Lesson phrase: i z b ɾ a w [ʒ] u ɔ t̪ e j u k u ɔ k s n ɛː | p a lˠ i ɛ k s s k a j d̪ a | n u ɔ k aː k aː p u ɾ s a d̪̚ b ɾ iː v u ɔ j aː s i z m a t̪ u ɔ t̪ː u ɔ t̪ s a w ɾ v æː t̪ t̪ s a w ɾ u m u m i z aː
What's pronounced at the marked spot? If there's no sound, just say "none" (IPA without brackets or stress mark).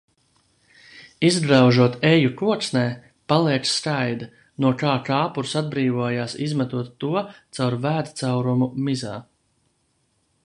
ʒ